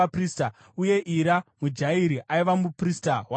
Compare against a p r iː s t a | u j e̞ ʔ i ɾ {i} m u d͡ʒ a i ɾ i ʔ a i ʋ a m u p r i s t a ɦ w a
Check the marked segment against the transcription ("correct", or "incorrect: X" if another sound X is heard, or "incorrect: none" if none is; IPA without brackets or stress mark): incorrect: a